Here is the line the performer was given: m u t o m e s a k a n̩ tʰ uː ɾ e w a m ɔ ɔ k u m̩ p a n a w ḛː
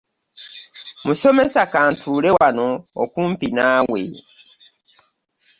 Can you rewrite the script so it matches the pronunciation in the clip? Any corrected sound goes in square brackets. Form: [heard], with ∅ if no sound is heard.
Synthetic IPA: m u [s] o m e s a k a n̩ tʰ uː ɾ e w a [n] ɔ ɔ k u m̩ p [i] n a w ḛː